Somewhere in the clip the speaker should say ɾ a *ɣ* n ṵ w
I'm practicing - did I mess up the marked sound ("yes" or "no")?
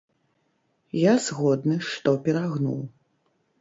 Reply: no